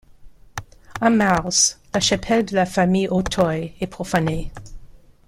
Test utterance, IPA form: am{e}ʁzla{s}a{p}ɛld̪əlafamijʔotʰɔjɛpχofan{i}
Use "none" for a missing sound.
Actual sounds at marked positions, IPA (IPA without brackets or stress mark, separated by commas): a, ʃ, pʰ, e